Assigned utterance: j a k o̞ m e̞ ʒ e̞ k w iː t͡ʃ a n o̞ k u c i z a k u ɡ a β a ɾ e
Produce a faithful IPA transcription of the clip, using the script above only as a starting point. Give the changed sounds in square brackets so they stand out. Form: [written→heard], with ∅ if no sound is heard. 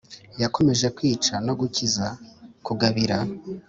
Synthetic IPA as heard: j a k o̞ m e̞ ʒ e̞ k w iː t͡ʃ a n o̞ [k→ɡ] u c i z a k u ɡ a β [a→i] ɾ [e→a]